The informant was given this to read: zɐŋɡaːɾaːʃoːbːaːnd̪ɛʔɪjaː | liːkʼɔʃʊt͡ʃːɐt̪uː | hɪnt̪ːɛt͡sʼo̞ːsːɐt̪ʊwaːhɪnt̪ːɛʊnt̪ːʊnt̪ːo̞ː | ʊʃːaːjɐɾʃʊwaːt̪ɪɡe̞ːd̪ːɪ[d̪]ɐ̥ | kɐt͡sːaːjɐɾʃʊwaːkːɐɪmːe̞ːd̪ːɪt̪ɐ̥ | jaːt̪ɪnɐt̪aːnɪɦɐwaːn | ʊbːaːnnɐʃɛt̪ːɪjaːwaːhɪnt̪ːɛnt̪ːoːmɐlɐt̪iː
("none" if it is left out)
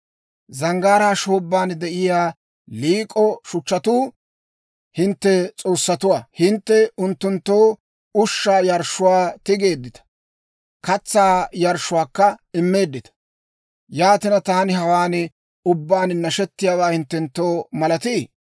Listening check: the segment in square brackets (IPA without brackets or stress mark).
t̪